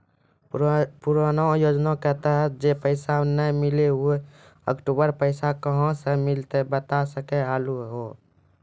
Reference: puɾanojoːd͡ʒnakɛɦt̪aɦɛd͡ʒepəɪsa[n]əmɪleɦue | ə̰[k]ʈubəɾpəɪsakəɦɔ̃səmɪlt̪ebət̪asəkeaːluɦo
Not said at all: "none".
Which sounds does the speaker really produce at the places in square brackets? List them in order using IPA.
n, k

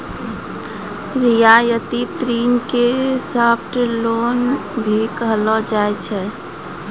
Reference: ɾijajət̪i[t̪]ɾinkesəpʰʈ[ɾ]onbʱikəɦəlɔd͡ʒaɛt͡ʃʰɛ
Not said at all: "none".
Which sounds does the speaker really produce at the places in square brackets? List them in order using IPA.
t̪, l

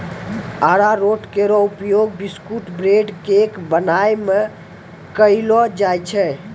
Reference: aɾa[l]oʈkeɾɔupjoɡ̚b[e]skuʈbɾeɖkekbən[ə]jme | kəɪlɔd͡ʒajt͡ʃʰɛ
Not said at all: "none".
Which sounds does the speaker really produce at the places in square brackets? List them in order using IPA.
ɾ, i, a

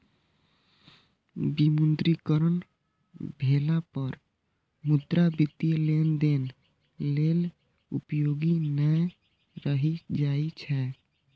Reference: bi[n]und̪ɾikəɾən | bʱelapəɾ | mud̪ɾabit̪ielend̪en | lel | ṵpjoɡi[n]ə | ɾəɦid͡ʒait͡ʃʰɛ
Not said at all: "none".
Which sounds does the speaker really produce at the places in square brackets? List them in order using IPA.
m, n

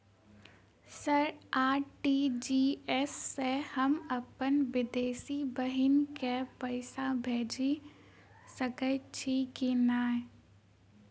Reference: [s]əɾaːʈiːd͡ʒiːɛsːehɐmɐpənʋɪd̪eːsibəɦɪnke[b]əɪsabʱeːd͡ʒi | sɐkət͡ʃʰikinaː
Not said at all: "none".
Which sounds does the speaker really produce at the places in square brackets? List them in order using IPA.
s, p

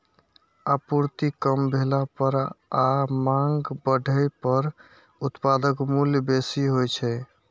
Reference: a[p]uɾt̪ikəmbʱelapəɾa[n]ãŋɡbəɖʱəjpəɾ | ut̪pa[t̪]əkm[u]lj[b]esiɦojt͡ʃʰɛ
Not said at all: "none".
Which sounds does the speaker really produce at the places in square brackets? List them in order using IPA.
p, m, d̪, u, b

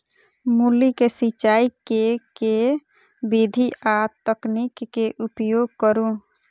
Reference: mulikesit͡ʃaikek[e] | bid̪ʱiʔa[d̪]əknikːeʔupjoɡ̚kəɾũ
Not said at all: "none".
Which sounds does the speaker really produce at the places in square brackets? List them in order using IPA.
e, t̪

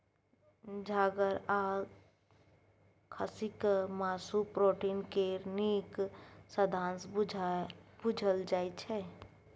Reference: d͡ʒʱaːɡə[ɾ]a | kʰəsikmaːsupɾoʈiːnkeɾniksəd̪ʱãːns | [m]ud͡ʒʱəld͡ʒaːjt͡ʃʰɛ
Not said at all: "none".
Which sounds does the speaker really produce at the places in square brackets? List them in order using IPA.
ɾ, b

